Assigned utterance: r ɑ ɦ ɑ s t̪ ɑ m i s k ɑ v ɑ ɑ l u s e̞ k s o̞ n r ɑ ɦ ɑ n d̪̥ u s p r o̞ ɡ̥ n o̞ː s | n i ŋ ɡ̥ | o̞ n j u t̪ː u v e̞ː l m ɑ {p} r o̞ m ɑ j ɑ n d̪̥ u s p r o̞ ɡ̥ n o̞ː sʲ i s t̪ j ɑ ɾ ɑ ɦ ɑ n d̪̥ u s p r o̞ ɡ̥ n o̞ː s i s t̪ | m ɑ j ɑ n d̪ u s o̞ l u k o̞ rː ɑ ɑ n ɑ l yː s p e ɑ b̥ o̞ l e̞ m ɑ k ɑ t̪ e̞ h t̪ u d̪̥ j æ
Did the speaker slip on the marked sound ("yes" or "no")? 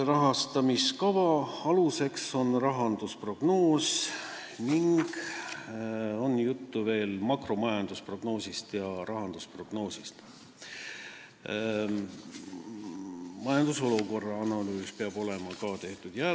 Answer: yes